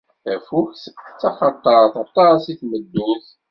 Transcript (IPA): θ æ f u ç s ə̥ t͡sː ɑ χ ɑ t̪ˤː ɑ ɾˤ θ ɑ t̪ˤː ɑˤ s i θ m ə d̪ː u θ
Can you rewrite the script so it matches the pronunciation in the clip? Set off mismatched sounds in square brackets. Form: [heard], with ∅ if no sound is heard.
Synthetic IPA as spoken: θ æ f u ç s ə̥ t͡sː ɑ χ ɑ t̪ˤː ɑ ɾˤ θ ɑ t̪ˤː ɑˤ s i θ m ə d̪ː u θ